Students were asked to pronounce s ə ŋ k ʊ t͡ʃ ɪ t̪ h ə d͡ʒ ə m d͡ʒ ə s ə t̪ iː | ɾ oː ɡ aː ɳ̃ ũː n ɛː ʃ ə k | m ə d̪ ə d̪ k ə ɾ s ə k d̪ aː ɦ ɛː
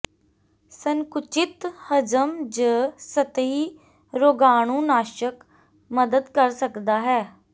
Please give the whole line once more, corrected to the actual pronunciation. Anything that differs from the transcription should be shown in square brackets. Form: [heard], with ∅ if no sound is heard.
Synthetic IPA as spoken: s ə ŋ k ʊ t͡ʃ ɪ t̪ h ə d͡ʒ ə m d͡ʒ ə s ə t̪ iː | ɾ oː ɡ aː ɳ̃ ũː n [aː] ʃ ə k | m ə d̪ ə d̪ k ə ɾ s ə k d̪ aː ɦ ɛː